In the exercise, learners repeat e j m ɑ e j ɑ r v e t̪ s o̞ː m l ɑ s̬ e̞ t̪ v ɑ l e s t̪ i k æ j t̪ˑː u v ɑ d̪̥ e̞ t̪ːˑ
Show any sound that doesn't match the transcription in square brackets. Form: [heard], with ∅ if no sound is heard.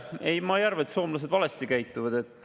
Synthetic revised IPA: e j m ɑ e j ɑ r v e t̪ s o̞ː m l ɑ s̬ e̞ [d̪] v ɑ l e s t̪ i k æ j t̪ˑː u v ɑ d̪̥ e̞ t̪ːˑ